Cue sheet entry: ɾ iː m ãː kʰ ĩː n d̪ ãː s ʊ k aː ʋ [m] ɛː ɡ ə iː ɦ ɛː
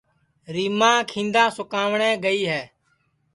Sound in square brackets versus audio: incorrect: ɳ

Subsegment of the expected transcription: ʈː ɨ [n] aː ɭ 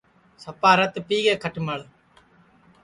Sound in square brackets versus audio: incorrect: m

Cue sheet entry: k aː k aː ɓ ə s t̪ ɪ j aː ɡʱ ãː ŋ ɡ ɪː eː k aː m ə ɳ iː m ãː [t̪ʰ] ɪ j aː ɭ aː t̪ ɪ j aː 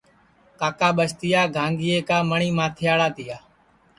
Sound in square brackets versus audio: correct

